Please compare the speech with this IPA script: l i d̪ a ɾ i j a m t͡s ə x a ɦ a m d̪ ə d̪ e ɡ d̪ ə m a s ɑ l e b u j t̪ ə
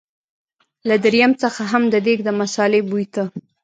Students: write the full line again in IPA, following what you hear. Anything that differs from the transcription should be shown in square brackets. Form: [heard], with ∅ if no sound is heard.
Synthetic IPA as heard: l [a] d̪ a ɾ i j a m t͡s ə x a ɦ a m d̪ ə d̪ e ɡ d̪ ə m a s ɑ l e b u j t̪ ə